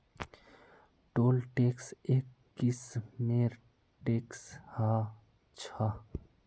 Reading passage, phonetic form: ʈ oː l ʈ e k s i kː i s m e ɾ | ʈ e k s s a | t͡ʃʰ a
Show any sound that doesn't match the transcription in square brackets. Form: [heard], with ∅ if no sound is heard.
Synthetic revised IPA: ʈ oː l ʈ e k s [e] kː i s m e ɾ | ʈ e k s [h] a | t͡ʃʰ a